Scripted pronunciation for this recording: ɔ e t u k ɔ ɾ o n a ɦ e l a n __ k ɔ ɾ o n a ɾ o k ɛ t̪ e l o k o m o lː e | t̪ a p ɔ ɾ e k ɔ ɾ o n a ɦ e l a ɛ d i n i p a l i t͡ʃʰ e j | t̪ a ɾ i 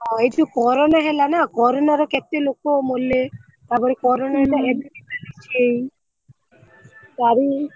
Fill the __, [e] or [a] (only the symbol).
a